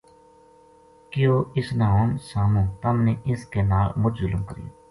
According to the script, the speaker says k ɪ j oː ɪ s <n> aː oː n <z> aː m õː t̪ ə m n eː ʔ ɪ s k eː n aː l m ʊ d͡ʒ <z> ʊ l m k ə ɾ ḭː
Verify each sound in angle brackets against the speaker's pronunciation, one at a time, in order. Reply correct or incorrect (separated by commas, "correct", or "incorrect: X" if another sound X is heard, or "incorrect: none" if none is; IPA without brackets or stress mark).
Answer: correct, incorrect: s, correct